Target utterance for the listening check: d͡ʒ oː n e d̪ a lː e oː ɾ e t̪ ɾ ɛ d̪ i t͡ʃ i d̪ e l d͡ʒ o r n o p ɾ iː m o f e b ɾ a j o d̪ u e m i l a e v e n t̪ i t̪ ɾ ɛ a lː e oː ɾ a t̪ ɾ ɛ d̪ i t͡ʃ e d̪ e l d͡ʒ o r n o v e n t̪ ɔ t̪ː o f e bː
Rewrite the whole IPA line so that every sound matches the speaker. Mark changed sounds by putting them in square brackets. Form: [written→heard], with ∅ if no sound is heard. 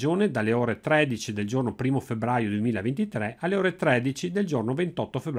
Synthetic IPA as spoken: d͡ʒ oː n e d̪ a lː e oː ɾ e t̪ ɾ ɛ d̪ i t͡ʃ i d̪ e l d͡ʒ o r n o p ɾ iː m o f e b ɾ a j o d̪ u e m [i→iː] l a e v e n t̪ i t̪ ɾ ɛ a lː e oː ɾ [a→e] t̪ ɾ ɛ d̪ i t͡ʃ [e→i] d̪ e l d͡ʒ o r n o v e n t̪ ɔ t̪ː o f e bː